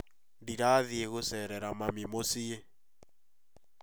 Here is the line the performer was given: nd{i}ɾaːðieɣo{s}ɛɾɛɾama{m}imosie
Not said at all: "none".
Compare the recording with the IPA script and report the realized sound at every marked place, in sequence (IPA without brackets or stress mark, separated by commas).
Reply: i, s, m